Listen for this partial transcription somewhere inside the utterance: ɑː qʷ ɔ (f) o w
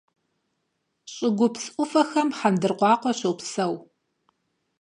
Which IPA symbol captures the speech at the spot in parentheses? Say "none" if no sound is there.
ɕ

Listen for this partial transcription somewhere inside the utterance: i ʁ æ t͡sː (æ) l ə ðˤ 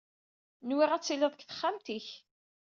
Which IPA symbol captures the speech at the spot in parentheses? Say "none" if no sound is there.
i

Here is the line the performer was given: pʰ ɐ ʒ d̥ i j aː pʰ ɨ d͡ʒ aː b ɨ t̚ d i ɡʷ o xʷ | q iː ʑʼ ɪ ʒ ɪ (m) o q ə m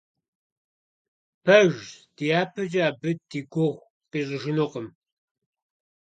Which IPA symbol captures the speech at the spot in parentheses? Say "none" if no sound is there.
n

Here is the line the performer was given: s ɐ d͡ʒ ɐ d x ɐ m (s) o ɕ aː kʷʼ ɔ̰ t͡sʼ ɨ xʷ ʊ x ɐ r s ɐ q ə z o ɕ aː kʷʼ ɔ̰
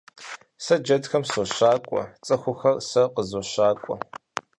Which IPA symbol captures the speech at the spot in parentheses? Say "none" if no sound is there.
s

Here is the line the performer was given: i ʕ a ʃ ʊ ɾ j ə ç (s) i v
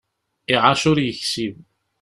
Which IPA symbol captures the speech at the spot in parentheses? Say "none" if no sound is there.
s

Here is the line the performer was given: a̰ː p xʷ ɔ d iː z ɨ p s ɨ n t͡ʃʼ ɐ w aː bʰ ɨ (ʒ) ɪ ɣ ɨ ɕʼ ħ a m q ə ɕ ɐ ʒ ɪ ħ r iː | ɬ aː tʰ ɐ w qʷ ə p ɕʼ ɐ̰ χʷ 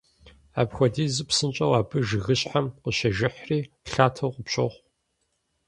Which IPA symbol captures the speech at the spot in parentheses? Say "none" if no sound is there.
ʒ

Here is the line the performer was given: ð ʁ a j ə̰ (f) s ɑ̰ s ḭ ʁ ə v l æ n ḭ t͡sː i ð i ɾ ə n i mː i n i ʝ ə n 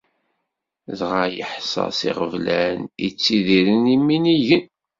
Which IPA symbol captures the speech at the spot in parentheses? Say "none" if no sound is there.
ħ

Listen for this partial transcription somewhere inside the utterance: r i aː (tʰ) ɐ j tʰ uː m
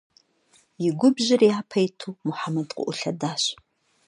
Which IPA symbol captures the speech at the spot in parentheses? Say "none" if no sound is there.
pʰ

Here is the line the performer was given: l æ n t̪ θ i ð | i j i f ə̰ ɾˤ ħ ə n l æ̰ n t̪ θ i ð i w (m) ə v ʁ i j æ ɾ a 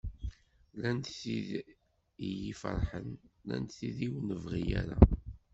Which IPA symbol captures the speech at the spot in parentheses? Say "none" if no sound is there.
n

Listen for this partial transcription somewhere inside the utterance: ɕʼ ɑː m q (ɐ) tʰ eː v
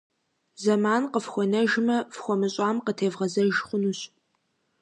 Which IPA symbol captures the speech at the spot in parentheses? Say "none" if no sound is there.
ə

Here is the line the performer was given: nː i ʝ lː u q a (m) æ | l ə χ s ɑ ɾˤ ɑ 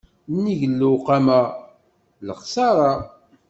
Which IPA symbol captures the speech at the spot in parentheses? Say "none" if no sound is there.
m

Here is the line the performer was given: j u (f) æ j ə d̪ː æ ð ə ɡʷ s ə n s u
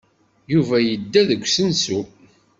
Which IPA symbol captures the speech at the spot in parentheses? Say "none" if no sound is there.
v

